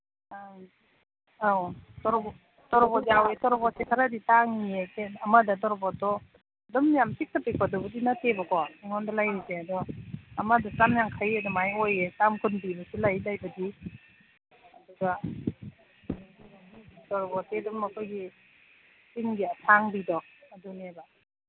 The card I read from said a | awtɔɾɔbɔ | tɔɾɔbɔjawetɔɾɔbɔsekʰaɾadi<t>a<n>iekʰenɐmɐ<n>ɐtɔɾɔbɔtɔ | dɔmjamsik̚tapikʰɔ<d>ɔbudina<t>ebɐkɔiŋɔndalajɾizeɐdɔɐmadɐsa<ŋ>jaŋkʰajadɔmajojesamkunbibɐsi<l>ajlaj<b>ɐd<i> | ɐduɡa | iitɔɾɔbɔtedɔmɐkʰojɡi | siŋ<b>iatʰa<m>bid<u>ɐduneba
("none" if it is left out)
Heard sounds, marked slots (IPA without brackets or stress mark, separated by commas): t, ŋ, d, d, t, m, l, b, i, ɡ, ŋ, ɔ